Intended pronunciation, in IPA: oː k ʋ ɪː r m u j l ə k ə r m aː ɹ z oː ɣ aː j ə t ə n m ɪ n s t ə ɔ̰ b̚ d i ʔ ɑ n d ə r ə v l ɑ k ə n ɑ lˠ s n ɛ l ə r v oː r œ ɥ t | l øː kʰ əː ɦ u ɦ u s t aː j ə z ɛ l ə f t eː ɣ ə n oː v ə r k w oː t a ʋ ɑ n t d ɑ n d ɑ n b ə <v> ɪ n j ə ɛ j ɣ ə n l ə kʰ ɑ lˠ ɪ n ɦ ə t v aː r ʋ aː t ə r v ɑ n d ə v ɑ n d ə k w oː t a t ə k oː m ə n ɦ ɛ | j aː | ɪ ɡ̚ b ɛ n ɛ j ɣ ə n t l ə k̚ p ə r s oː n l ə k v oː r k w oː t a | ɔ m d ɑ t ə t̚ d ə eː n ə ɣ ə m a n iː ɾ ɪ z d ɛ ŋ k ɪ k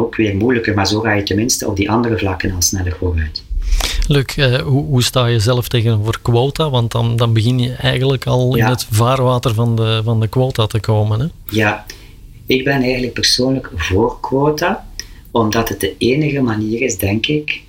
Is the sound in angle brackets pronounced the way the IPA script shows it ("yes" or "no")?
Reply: no